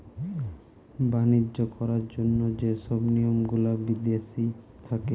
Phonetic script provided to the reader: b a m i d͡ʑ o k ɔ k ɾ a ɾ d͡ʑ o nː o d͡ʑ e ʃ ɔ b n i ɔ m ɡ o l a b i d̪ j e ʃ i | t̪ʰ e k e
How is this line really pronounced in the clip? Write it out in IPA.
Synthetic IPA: b a n i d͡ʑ o k ɔ ɾ a ɾ d͡ʑ o nː o d͡ʑ e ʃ ɔ b n i o m ɡ u l a b i d̪ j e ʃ i | t̪ʰ a k e